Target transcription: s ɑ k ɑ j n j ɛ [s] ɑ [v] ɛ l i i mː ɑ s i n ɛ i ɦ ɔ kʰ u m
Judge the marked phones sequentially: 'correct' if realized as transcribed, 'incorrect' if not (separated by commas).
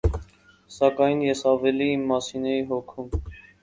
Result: correct, correct